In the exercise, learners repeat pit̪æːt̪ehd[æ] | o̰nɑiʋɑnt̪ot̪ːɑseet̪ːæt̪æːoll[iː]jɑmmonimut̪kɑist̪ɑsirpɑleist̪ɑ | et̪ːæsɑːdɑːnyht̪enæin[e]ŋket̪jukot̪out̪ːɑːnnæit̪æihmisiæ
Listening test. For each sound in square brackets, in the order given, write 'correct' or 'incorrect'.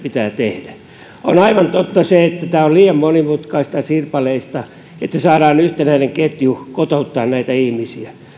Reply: correct, correct, correct

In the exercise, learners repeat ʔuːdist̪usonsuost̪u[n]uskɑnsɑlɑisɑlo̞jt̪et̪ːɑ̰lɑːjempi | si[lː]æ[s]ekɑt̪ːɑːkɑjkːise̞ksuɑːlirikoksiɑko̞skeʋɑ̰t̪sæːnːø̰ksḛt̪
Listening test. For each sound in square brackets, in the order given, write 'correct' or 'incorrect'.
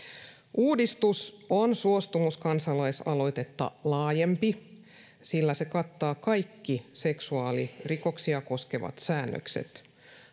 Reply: incorrect: m, correct, correct

